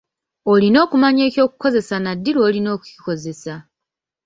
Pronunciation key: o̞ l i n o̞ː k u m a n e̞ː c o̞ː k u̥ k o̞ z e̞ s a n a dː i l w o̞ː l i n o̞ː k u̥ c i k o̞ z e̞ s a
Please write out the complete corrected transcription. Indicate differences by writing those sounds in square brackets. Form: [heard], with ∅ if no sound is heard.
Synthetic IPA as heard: o̞ l i n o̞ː k u m a [ɲ] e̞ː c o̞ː k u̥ k o̞ z e̞ s a n a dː i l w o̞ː l i n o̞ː k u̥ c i k o̞ z e̞ s a